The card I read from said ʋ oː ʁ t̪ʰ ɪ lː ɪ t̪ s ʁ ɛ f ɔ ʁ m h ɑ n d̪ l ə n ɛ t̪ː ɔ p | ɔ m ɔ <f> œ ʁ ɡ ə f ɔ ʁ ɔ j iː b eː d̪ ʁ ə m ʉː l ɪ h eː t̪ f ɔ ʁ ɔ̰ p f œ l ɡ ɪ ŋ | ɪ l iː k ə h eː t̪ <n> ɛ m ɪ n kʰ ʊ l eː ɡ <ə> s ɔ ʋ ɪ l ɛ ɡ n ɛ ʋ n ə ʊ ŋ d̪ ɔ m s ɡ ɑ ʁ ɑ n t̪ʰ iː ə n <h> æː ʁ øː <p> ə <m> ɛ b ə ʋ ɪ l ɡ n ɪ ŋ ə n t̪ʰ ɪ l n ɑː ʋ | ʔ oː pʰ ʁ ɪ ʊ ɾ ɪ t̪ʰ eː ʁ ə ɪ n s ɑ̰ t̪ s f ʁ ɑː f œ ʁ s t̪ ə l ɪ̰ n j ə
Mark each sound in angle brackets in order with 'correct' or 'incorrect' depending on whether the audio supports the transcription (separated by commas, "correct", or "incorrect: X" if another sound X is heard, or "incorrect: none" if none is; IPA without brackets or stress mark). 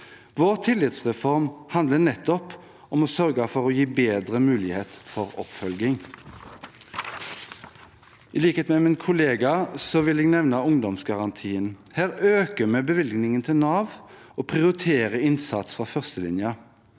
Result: incorrect: s, incorrect: m, incorrect: ɑ, correct, incorrect: k, correct